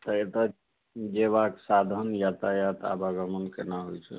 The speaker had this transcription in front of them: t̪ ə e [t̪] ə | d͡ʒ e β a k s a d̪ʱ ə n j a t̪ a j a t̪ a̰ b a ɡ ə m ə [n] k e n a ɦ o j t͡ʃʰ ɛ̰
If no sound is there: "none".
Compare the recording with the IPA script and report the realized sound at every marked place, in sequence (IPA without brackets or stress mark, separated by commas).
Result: t̪, n